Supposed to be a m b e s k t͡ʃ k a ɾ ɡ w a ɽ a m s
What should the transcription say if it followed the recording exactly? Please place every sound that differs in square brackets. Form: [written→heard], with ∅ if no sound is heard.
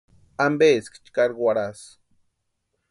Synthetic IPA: a m b e s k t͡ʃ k a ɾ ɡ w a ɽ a [m→∅] s